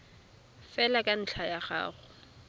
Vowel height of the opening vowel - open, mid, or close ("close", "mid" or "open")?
mid